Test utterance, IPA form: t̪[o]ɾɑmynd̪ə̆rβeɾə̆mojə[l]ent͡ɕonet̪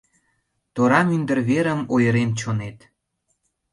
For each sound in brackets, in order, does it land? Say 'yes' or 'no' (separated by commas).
yes, no